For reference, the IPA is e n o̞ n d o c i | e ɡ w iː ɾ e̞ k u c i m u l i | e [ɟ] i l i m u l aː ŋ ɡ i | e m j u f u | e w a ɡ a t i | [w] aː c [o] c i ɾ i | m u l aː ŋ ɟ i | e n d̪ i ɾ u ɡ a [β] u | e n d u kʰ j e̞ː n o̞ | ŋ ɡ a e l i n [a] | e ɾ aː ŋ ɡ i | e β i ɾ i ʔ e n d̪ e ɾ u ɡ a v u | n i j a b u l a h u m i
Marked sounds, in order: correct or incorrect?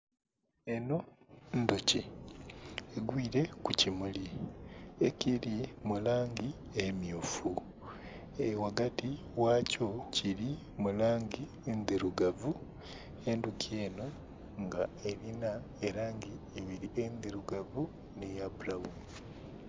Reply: incorrect: c, correct, correct, incorrect: v, correct

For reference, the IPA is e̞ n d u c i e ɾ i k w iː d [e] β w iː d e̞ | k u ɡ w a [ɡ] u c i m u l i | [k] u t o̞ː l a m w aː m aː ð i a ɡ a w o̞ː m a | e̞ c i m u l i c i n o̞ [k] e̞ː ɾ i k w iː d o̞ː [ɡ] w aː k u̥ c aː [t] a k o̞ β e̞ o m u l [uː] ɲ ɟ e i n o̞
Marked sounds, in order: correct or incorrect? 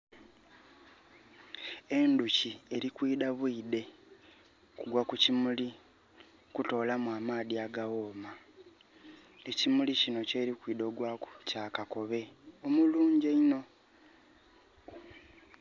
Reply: incorrect: a, incorrect: k, correct, incorrect: c, correct, incorrect: k, correct

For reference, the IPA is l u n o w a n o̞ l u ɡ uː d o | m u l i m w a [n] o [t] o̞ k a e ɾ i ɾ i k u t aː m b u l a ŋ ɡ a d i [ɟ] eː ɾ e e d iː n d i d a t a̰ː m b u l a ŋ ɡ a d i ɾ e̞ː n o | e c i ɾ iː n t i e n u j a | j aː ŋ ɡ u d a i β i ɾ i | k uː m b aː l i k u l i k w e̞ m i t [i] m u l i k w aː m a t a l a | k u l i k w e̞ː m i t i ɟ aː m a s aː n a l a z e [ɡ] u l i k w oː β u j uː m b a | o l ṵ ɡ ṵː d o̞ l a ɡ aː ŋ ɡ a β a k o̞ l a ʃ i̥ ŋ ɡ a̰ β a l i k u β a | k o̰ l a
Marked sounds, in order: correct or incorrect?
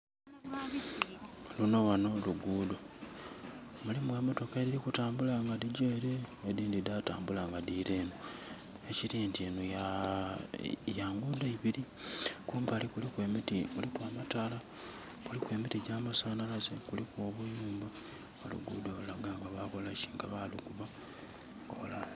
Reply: incorrect: m, correct, correct, correct, incorrect: k

